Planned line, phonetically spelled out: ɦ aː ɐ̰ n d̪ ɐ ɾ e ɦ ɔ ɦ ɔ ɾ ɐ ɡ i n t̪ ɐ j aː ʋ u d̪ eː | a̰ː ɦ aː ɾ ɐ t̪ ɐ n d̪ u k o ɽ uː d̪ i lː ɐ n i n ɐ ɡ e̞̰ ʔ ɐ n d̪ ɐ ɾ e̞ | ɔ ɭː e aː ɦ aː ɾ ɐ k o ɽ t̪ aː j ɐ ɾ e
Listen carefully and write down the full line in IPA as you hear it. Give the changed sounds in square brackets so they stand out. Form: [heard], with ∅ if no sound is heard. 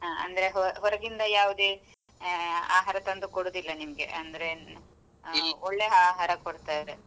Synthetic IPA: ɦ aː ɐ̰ n d̪ ɐ ɾ e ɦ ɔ ɦ ɔ ɾ ɐ ɡ i n [d̪] ɐ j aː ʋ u d̪ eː | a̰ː ɦ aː ɾ ɐ t̪ ɐ n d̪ u k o ɽ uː d̪ i lː ɐ n i [m] ɐ ɡ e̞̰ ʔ ɐ n d̪ ɐ ɾ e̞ | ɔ ɭː e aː ɦ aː ɾ ɐ k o ɽ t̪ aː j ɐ ɾ e